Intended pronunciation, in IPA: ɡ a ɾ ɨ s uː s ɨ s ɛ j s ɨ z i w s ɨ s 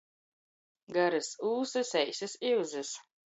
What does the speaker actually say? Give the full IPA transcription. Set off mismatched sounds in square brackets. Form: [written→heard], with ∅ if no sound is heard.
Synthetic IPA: ɡ a ɾ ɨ s uː s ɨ s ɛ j s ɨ [z→s] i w [s→z] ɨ s